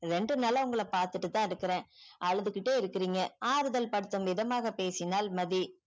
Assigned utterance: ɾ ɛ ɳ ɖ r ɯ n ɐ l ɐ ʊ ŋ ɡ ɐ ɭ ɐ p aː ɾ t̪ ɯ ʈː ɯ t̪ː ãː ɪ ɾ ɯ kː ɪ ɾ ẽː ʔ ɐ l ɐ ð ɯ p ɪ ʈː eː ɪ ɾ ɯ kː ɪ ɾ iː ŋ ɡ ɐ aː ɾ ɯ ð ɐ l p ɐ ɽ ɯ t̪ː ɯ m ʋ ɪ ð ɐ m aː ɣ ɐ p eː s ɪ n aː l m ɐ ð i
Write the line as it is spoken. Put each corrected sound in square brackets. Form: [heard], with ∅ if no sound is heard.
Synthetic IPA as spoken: ɾ ɛ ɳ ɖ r ɯ n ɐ l ɐ ʊ ŋ ɡ ɐ ɭ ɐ p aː ɾ t̪ ɯ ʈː ɯ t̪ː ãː ɪ ɾ ɯ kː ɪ ɾ ẽː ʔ ɐ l ɐ ð ɯ [k] ɪ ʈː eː ɪ ɾ ɯ kː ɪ ɾ iː ŋ ɡ ɐ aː ɾ ɯ ð ɐ l p ɐ ɽ ɯ t̪ː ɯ m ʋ ɪ ð ɐ m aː ɣ ɐ p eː s ɪ n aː l m ɐ ð i